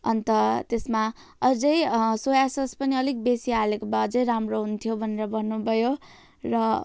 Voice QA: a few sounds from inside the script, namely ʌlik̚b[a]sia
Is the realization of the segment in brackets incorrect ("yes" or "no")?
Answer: yes